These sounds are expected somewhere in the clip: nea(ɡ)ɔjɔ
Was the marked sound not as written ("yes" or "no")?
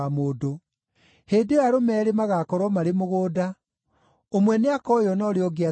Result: yes